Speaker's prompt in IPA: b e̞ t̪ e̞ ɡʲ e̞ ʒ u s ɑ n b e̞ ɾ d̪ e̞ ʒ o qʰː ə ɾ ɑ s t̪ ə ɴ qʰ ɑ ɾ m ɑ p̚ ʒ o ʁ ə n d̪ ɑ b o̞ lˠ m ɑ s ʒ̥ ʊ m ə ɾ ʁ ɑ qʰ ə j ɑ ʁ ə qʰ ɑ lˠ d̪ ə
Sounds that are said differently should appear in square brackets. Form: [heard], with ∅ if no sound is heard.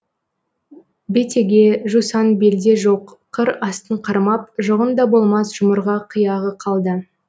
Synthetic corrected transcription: b e̞ t̪ e̞ ɡʲ e̞ ʒ u s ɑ n b e̞ [l] d̪ e̞ ʒ o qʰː ə ɾ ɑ s t̪ ə ɴ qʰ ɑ ɾ m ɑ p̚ ʒ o ʁ ə n d̪ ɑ b o̞ lˠ m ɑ s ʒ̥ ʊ m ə ɾ ʁ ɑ qʰ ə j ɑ ʁ ə qʰ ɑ lˠ d̪ ə